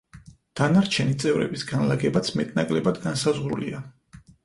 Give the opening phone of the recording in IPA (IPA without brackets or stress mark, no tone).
d̪̥